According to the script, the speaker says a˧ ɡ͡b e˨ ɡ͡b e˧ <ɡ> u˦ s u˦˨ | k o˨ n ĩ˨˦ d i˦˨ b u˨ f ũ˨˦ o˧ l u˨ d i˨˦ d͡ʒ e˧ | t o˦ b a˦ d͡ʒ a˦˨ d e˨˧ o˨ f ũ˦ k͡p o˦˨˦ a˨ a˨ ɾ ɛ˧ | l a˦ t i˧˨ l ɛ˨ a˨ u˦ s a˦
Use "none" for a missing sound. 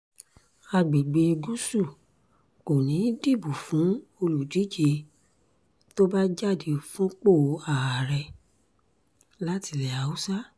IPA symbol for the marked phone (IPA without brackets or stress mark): ɡ